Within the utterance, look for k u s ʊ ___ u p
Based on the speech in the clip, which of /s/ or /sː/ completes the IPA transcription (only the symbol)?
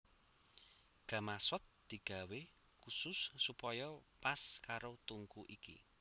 sː